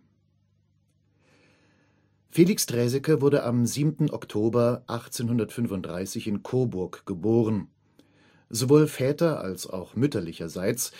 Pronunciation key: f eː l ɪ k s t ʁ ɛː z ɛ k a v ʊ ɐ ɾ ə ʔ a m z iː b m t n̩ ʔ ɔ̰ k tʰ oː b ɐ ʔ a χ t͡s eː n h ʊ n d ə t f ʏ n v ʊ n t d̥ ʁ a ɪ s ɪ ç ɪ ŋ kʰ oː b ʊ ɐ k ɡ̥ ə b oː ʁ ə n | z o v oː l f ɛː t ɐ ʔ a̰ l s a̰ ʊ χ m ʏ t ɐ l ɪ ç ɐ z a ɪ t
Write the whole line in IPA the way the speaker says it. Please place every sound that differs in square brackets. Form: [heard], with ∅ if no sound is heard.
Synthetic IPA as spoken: f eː l ɪ k s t ʁ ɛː z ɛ k [ə] v ʊ ɐ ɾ ə ʔ a m z iː b m t n̩ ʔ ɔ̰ k tʰ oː b ɐ ʔ a χ t͡s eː n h ʊ n d [ɐ] t f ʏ n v ʊ n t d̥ ʁ a ɪ s ɪ ç ɪ [n] kʰ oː b ʊ ɐ k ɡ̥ ə b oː ʁ ə n | z o v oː l f ɛː t ɐ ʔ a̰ l s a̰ ʊ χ m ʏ t ɐ l ɪ ç ɐ z a ɪ [t͡s]